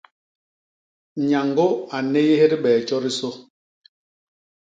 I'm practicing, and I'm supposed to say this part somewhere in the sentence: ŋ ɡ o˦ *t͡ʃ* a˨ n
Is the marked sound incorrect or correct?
incorrect: none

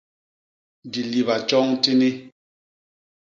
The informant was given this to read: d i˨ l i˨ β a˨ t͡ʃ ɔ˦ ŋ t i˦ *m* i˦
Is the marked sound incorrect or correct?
incorrect: n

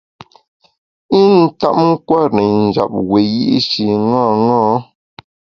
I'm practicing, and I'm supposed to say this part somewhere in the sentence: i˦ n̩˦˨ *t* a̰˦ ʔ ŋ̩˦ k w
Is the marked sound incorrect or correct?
correct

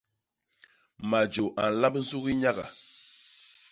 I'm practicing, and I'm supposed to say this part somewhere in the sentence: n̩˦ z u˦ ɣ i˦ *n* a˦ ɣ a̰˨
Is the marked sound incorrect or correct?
incorrect: ɲ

